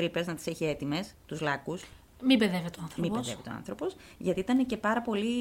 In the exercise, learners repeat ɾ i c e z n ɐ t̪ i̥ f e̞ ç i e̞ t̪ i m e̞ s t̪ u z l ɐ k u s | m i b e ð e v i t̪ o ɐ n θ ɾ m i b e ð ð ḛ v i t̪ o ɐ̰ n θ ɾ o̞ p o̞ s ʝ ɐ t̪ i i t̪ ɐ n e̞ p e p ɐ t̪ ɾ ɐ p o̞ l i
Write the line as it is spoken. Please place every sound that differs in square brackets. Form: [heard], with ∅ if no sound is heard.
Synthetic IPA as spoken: ɾ i [p] e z n ɐ t̪ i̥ [s] e̞ ç i e̞ t̪ i m e̞ s t̪ u z l ɐ k u s | m i b e ð e v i t̪ o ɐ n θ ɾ m i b e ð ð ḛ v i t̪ o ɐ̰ n θ ɾ o̞ p o̞ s ʝ ɐ t̪ i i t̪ ɐ n e̞ [c] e p ɐ [∅] ɾ ɐ p o̞ l i